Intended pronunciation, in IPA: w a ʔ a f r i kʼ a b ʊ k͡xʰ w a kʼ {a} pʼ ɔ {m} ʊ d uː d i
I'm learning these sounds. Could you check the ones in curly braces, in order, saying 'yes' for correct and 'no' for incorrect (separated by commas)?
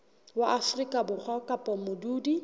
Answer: yes, yes